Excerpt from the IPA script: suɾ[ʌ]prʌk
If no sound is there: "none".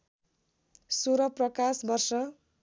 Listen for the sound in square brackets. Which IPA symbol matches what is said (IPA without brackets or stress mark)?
ʌ